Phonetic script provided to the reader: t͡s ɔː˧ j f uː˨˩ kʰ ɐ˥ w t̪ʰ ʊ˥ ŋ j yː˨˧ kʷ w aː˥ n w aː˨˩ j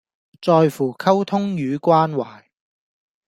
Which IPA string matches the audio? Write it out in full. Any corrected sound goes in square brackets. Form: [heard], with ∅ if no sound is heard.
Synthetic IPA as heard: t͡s ɔː˧ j f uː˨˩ kʰ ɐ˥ w t̪ʰ ʊ˥ ŋ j yː˨˧ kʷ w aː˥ n w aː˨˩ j